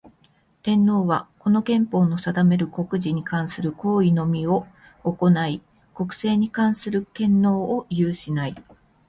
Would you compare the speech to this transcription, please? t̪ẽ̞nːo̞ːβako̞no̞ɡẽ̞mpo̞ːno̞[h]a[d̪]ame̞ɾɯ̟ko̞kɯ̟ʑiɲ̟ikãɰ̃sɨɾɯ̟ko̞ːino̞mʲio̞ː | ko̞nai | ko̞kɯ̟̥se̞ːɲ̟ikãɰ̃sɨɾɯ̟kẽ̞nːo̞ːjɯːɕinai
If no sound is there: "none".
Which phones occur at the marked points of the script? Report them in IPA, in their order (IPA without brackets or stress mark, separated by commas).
s, d̪